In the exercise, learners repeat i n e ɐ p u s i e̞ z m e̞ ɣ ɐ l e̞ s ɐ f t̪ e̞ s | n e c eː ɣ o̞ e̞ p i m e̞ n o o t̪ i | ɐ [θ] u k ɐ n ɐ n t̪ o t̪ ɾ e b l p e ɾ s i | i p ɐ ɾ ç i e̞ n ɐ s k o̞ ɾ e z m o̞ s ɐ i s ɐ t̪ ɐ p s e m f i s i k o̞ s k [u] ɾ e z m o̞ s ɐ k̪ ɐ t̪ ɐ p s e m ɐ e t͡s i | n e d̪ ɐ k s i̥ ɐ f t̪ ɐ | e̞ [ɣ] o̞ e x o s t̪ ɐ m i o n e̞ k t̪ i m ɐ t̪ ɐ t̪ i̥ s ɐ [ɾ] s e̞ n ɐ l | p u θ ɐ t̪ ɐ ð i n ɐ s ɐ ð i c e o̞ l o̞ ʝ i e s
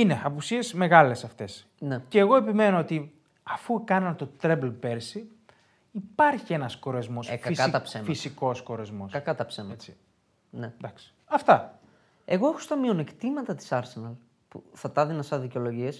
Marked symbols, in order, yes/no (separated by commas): no, no, yes, yes